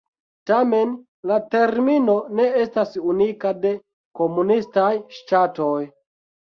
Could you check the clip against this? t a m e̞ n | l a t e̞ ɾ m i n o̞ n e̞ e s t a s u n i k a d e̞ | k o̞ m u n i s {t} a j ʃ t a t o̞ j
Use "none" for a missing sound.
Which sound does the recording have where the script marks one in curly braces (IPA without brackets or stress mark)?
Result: t